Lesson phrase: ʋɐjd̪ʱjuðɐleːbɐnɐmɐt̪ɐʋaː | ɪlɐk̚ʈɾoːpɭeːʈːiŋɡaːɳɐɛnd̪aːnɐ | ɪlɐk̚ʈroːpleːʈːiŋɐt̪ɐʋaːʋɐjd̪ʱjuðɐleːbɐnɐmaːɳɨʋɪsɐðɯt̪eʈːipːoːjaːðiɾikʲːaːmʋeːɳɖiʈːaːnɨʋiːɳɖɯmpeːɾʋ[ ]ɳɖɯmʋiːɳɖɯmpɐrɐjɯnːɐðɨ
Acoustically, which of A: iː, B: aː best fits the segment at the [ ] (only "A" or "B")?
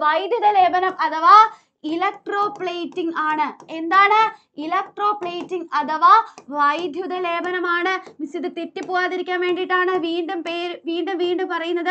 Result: A